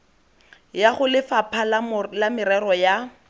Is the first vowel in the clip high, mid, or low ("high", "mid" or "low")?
low